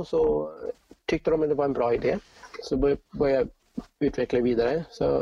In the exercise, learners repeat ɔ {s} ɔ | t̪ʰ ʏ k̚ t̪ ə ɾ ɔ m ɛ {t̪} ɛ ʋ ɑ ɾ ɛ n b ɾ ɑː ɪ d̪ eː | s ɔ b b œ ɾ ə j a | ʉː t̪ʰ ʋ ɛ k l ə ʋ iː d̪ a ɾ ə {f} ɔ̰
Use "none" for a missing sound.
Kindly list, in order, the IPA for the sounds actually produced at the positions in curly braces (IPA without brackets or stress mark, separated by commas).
s, d̪, s